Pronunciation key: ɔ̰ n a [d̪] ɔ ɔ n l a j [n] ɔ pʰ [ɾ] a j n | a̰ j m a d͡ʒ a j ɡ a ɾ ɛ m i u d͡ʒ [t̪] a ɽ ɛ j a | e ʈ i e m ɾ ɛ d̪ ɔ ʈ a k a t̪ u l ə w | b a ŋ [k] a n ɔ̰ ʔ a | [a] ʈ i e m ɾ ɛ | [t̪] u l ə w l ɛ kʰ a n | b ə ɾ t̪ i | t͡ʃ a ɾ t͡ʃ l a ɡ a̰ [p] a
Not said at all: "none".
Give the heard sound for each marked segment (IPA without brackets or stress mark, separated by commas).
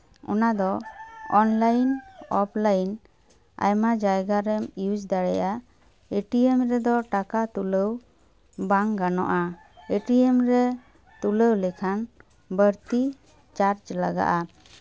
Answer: d̪, n, l, d̪, ɡ, e, t̪, ʔ